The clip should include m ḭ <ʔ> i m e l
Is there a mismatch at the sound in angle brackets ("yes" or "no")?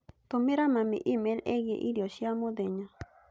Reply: no